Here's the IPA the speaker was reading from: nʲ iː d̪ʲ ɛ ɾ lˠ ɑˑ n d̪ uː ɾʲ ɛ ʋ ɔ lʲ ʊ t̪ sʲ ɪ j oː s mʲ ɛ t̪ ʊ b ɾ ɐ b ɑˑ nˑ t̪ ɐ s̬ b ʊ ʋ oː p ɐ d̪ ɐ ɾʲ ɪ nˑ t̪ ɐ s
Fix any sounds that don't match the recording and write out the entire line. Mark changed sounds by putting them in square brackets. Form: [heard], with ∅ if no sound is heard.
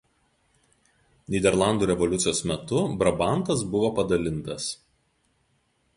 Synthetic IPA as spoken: nʲ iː d̪ʲ ɛ ɾ lˠ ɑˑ n d̪ uː ɾʲ ɛ ʋ ɔ lʲ ʊ t̪ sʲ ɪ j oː s mʲ ɛ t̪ ʊ b ɾ ɐ b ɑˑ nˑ t̪ ɐ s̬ b ʊ ʋ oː p ɐ d̪ ɐ [lʲ] ɪ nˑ t̪ ɐ s